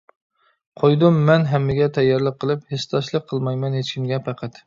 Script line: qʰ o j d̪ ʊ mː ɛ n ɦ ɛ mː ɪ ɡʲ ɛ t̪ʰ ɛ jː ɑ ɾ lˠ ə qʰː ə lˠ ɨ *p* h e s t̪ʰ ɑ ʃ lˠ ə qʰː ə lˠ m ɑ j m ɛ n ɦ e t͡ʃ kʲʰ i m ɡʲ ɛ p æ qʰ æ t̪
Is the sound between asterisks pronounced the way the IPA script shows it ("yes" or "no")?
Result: yes